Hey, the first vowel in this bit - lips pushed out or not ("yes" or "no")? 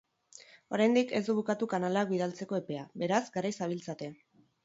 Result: yes